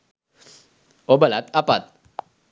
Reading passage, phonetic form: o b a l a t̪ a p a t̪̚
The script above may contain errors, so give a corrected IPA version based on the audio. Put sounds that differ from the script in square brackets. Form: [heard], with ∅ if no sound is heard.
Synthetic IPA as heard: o b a l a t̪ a p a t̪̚